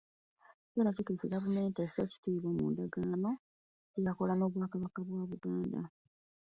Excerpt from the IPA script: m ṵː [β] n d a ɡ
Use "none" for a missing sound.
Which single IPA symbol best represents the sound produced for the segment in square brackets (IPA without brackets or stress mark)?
none